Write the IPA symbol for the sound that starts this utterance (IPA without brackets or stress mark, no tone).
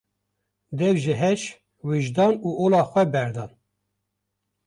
d̪